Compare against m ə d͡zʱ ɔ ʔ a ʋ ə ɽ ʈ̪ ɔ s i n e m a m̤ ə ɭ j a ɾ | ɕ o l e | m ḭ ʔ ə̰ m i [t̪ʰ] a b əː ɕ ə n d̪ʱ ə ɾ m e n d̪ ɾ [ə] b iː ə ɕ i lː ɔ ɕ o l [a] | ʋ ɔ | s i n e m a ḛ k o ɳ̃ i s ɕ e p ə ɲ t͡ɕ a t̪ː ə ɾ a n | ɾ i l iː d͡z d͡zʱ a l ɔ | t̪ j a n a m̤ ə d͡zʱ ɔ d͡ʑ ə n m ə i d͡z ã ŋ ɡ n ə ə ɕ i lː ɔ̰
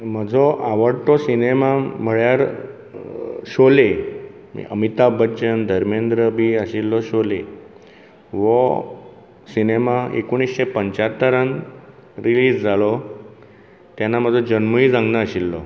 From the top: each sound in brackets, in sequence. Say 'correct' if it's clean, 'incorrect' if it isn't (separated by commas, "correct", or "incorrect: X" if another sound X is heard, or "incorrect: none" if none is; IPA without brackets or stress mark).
incorrect: t̪, correct, incorrect: e